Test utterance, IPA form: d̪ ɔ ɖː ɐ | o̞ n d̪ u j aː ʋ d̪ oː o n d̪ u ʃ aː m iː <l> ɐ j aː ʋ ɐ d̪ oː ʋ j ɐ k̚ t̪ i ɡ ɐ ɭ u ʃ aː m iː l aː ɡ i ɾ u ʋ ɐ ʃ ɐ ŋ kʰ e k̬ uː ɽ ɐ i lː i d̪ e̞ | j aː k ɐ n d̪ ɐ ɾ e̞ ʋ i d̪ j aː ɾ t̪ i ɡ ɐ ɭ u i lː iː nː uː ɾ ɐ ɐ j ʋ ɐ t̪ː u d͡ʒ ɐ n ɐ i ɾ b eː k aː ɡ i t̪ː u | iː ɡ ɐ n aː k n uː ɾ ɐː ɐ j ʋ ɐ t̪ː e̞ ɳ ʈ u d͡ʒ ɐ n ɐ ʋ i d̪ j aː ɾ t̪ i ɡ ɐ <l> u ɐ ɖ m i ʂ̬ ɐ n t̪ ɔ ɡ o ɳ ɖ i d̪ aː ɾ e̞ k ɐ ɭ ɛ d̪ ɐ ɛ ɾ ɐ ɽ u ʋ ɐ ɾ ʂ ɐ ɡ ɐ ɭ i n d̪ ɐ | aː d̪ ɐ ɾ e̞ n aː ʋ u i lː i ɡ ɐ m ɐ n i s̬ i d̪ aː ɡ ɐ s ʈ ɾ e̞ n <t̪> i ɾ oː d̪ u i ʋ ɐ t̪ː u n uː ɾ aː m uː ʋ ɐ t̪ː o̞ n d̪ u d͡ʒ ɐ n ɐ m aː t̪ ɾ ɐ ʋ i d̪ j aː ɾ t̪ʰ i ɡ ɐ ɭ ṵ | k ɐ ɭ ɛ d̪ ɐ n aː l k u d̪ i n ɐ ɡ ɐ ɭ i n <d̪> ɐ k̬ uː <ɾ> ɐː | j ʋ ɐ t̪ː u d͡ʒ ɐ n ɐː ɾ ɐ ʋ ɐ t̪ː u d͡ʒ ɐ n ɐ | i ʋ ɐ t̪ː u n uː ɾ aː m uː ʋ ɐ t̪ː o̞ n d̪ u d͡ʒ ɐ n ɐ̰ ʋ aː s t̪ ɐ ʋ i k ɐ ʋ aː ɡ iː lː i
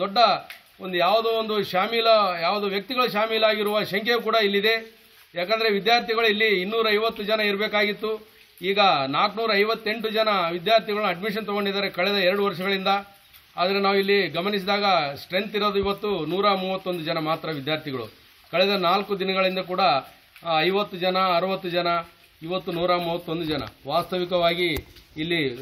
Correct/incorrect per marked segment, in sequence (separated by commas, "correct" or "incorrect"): correct, incorrect, correct, correct, incorrect